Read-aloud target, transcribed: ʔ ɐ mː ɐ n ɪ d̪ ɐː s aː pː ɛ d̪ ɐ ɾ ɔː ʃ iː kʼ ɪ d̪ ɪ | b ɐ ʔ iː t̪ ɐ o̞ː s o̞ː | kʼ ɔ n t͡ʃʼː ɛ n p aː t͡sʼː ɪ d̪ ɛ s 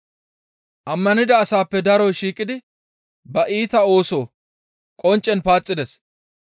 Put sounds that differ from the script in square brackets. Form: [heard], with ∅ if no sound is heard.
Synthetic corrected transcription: ʔ ɐ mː ɐ n ɪ d̪ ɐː s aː pː ɛ d̪ ɐ ɾ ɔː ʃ iː kʼ ɪ d̪ ɪ | b ɐ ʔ iː t̪ ɐ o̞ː s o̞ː | kʼ ɔ n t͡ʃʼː ɛ n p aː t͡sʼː ɪ d̪ ɛ s